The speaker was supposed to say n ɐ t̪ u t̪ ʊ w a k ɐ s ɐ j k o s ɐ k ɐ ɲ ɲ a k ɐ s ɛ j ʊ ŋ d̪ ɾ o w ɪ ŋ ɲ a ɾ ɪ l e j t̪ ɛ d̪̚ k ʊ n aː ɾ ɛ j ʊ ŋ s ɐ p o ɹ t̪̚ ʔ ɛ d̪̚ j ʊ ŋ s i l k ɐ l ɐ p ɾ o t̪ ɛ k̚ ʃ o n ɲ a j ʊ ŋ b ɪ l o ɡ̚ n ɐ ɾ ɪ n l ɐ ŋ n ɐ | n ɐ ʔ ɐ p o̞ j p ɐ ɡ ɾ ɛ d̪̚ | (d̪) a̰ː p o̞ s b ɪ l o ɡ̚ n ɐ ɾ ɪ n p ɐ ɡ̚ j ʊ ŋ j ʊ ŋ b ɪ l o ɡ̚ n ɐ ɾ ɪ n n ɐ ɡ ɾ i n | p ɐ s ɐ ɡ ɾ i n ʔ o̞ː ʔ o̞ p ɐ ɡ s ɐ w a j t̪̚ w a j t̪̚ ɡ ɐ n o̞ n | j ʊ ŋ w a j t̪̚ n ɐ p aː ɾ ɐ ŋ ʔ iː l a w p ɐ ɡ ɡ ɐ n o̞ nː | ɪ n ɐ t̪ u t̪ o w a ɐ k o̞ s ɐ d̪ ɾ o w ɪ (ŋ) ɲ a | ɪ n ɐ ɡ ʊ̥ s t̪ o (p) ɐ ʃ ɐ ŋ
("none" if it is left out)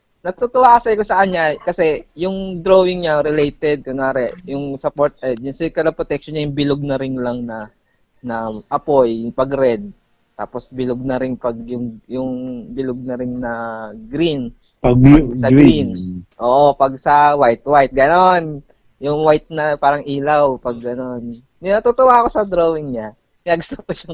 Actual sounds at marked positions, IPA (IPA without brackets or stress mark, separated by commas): t̪, ŋ, p